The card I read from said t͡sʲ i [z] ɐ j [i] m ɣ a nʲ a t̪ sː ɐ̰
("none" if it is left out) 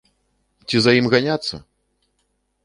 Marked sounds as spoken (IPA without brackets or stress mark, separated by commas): z, i